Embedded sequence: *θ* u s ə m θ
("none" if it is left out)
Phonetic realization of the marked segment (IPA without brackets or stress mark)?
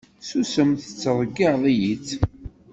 s